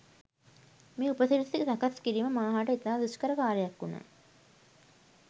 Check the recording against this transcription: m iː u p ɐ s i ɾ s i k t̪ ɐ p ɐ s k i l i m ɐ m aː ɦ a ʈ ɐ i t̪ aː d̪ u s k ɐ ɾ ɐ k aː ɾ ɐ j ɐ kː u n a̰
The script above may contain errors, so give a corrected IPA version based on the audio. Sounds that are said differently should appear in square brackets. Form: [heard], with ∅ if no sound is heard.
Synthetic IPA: m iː u p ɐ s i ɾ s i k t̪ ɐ [k] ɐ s k i [ɾ] i m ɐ m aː ɦ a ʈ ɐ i t̪ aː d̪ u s k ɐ ɾ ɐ k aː ɾ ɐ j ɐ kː u n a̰